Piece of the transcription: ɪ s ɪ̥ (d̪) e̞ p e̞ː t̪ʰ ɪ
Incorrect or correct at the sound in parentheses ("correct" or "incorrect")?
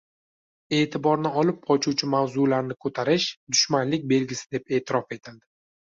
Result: correct